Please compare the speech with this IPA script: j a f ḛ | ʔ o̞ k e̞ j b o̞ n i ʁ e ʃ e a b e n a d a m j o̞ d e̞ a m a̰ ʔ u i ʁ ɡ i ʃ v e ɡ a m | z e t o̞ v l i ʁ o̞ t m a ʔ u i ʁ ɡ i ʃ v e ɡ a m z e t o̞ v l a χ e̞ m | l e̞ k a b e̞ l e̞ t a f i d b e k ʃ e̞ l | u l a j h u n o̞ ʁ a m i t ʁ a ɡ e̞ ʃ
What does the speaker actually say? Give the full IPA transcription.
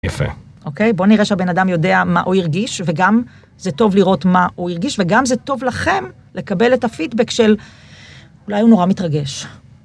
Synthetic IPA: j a f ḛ | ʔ o̞ k e̞ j b o̞ n i ʁ e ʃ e a b e n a d a m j o̞ d e̞ a m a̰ ʔ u i ʁ ɡ i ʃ v e ɡ a m | z e t o̞ v l i ʁ o̞ t m a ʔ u i ʁ ɡ i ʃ v e ɡ a m z e t o̞ v l a χ e̞ m | l e̞ k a b e̞ l e̞ t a f i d b e k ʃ e̞ l | u l a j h u n o̞ ʁ a m i t ʁ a ɡ e̞ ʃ